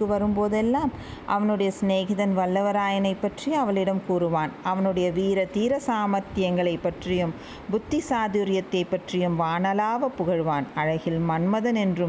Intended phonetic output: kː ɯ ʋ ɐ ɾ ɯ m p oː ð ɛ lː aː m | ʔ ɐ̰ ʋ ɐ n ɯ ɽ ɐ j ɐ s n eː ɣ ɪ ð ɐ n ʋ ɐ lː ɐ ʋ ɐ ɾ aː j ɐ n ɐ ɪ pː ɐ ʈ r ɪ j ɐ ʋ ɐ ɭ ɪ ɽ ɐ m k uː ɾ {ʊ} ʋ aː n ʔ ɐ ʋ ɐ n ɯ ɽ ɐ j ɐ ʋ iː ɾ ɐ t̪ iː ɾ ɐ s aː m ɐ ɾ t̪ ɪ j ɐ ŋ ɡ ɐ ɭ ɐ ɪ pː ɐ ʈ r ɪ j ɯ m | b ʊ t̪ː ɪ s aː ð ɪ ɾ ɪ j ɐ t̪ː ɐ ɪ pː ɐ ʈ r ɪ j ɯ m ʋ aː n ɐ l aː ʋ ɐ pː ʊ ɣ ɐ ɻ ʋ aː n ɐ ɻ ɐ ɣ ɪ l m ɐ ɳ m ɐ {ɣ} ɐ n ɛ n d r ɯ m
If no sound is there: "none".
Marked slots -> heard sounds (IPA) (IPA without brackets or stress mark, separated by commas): ɯ, ð